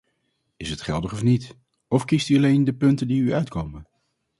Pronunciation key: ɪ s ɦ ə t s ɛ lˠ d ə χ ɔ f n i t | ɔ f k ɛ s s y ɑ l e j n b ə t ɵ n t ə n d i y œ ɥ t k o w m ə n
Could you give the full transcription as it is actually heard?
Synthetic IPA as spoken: ɪ s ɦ ə t χ ɛ lˠ d ə χ ɔ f n i t | ɔ f k i s t y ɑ l e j n d ə p ɵ n t ə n d i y œ ɥ t k o w m ə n